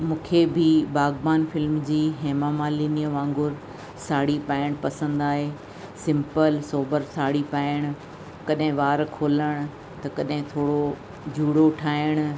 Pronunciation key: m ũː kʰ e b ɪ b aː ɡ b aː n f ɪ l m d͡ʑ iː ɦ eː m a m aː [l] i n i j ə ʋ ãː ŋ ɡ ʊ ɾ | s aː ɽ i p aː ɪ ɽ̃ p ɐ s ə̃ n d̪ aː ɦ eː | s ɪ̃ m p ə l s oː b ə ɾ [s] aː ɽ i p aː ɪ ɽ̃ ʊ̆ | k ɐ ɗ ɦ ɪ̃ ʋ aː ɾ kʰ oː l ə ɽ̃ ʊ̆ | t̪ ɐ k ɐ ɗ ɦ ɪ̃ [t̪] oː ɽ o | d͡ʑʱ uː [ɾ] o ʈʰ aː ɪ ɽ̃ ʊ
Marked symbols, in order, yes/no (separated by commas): yes, yes, no, no